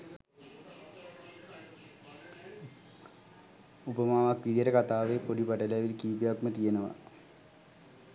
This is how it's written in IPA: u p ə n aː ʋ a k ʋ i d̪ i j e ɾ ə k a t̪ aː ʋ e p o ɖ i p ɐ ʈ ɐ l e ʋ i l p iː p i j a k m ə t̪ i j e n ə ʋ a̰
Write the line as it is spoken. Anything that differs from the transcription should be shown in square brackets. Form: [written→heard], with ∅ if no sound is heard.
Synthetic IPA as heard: u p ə [n→m] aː ʋ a k ʋ i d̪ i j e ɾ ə k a t̪ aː ʋ e p o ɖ i p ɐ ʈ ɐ l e ʋ i l [p→k] iː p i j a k m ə t̪ i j e n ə ʋ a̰